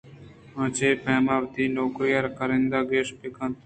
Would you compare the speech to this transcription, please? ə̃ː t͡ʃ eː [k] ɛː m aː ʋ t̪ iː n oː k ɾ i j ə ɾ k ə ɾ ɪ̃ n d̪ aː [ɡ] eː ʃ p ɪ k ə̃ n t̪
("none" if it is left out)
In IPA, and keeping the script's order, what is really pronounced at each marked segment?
p, ɡ

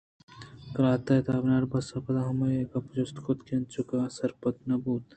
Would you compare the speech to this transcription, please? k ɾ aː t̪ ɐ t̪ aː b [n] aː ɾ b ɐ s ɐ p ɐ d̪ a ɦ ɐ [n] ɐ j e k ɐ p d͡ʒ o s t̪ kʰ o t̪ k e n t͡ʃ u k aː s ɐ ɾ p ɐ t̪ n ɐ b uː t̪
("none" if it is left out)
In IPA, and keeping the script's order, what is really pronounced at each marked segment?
n, m

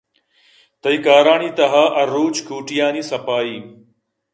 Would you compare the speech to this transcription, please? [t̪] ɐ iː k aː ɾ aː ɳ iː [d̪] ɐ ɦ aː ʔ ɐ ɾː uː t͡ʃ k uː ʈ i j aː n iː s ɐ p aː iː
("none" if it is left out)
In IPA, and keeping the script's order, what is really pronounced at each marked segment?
t̪, t̪

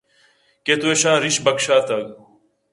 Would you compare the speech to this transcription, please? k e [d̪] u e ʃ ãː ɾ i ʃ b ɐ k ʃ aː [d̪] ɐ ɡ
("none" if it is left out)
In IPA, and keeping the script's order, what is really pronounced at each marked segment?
t̪, t̪

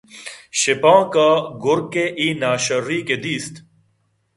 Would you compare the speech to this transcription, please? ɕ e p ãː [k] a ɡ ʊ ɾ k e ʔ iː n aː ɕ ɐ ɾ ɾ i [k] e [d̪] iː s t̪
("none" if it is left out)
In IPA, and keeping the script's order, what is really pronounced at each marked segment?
k, k, d̪

